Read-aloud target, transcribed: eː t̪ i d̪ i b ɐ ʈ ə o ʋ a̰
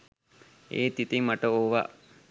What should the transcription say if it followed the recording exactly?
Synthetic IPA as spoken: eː t̪ i t̪ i m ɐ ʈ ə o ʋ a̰